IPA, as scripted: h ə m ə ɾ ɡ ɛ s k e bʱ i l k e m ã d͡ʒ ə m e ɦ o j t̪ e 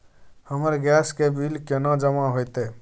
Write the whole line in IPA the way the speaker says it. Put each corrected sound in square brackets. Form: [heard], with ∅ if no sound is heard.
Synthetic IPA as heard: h ə m ə ɾ ɡ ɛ s k e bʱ i l k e [n] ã d͡ʒ ə m [a] ɦ o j t̪ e